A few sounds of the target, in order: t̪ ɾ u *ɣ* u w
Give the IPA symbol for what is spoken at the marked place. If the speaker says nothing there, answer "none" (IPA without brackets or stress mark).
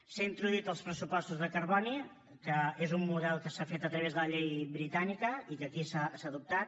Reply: ð